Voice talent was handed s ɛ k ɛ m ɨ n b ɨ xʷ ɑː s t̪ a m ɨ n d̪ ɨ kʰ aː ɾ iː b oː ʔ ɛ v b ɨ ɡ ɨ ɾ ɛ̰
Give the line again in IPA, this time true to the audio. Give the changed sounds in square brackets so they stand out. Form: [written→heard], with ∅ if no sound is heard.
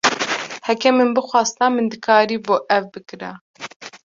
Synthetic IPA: [s→h] ɛ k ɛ m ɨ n b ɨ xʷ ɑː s t̪ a m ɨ n d̪ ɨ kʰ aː ɾ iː b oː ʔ ɛ v b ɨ [ɡ→k] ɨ ɾ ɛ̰